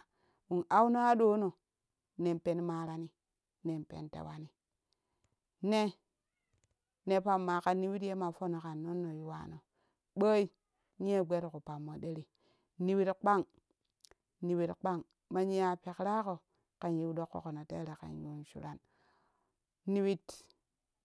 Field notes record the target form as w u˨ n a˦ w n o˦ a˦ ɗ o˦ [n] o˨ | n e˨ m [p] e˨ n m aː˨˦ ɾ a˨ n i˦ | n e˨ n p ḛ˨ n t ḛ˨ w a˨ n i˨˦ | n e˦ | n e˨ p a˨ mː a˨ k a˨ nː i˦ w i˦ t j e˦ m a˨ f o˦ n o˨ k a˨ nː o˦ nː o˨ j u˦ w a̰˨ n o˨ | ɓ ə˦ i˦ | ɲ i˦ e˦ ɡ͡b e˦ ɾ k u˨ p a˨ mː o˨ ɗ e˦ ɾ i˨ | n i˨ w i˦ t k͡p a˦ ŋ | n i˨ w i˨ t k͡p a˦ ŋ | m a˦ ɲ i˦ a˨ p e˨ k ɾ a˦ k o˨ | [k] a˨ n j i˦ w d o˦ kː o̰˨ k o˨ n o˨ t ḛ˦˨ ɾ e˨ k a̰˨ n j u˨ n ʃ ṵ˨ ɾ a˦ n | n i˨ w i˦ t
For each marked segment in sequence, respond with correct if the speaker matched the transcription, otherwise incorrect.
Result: correct, correct, correct

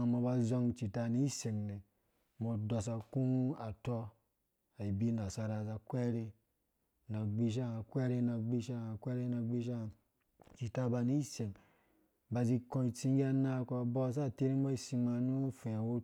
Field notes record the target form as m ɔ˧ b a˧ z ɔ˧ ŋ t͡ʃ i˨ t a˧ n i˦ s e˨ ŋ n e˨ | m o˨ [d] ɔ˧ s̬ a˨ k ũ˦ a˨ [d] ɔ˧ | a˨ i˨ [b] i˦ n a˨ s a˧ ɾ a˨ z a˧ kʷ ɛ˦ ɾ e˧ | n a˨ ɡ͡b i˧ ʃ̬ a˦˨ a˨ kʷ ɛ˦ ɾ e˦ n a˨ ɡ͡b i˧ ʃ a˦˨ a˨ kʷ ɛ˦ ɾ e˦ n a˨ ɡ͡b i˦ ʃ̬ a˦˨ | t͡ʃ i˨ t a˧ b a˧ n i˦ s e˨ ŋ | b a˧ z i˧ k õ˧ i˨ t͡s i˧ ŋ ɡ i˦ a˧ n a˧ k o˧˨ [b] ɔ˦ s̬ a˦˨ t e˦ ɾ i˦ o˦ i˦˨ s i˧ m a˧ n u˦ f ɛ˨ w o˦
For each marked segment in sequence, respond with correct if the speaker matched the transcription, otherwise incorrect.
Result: correct, incorrect, correct, correct

